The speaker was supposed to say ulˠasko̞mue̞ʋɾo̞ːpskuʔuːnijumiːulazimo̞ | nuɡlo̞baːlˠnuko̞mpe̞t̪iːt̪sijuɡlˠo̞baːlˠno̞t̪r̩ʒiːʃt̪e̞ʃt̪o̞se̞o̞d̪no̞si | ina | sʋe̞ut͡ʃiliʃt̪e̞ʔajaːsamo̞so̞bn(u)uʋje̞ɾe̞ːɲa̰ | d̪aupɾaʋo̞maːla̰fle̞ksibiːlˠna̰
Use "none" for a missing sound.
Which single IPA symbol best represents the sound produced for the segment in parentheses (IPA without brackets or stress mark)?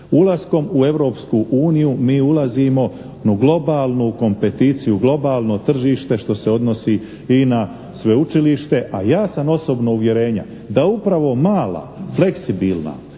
o